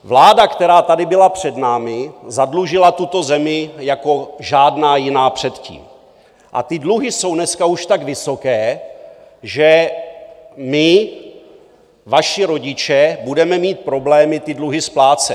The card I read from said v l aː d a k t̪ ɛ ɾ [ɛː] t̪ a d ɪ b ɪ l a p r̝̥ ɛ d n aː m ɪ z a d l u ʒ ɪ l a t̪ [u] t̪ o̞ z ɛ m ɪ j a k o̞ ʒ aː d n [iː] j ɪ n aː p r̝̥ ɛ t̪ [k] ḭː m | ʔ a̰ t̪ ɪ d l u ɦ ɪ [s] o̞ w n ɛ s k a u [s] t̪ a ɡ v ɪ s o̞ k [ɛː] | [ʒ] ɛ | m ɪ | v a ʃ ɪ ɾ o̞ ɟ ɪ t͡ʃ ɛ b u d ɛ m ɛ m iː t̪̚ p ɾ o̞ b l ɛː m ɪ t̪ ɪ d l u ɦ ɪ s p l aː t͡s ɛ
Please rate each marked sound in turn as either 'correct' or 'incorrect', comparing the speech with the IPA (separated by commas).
incorrect, correct, incorrect, incorrect, correct, incorrect, correct, correct